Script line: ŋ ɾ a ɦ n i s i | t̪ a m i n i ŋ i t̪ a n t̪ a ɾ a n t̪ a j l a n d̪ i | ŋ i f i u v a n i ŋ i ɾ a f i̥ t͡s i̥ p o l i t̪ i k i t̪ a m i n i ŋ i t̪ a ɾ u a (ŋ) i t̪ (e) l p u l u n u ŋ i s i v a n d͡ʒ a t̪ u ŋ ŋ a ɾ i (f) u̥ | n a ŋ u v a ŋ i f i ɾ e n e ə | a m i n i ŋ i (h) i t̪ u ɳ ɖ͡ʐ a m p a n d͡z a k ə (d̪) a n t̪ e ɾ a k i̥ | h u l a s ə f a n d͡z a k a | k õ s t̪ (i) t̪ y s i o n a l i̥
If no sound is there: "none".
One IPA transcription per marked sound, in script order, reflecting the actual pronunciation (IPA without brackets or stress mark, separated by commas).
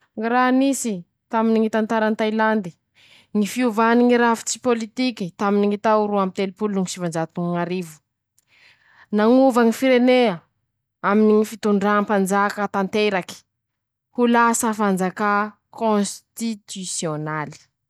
m, e, v, f, t̪, i